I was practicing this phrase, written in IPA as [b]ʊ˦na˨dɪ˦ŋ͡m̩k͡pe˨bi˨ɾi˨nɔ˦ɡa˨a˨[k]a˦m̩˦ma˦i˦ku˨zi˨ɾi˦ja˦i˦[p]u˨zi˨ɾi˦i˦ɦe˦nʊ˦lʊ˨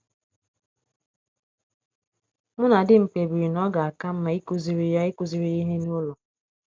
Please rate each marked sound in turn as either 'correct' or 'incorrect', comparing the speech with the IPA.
incorrect, correct, incorrect

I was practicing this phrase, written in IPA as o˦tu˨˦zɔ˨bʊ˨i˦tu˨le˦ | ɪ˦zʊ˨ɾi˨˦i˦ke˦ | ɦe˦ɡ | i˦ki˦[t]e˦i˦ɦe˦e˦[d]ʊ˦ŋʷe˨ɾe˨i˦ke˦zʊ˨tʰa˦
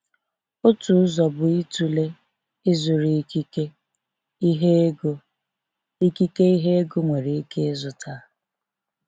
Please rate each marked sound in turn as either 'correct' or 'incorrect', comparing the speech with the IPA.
incorrect, incorrect

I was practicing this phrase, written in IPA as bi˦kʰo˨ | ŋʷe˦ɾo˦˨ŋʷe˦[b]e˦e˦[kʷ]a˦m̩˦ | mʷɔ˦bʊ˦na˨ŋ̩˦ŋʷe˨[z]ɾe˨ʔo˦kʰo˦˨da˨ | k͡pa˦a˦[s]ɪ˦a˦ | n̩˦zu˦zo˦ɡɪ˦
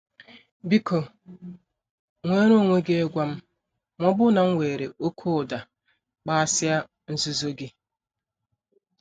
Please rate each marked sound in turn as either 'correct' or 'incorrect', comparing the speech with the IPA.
incorrect, incorrect, incorrect, correct

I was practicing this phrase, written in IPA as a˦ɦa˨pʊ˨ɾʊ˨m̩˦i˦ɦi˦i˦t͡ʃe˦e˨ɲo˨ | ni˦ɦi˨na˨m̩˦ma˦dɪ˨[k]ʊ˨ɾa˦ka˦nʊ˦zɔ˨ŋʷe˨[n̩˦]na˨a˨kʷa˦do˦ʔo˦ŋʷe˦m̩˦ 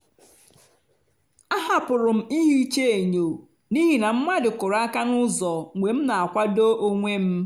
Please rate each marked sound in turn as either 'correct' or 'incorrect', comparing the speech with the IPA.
correct, incorrect

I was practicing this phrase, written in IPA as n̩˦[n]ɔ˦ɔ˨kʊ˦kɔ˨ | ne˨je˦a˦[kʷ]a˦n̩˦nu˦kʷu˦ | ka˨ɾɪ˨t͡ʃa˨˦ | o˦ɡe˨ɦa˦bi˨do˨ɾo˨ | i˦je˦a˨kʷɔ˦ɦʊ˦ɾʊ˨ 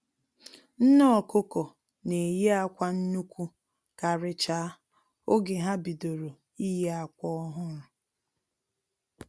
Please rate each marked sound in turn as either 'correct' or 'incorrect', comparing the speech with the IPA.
correct, correct

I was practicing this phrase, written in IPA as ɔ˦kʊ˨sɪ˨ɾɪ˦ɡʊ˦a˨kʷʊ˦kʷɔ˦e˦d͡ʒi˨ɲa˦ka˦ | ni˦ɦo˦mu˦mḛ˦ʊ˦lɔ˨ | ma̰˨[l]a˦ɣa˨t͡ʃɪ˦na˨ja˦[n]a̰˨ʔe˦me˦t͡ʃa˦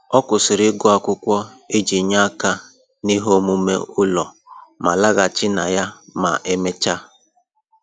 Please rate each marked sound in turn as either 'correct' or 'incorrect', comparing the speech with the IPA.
correct, incorrect

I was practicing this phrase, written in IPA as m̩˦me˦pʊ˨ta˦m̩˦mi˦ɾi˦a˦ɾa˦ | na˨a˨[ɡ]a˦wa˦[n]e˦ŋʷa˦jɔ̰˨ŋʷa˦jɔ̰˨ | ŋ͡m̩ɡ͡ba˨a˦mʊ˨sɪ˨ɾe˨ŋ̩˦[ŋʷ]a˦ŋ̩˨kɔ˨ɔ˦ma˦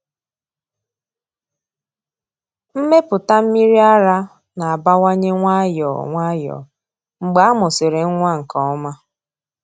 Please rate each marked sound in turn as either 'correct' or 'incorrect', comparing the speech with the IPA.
incorrect, incorrect, correct

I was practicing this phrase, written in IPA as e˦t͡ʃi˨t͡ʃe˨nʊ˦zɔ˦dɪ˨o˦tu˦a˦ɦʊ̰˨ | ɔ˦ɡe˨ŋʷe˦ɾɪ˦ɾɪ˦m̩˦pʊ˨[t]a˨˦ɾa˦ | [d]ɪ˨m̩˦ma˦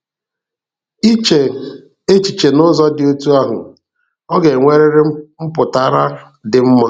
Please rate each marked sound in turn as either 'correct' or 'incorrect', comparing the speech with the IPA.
correct, correct

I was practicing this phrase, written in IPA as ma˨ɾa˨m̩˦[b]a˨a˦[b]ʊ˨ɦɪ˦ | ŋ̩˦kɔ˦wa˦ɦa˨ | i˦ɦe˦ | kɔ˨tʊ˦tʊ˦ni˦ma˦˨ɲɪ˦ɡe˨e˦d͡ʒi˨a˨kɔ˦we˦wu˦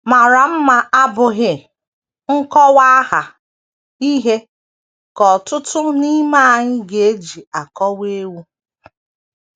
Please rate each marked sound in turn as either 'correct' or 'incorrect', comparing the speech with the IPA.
incorrect, correct

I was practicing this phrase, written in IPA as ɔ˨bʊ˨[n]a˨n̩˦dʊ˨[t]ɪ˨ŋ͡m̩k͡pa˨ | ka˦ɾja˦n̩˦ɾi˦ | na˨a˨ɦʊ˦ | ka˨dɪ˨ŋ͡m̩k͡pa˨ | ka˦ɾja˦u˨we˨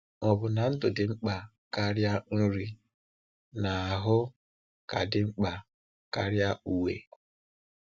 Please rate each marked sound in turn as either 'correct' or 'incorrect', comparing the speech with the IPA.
correct, incorrect

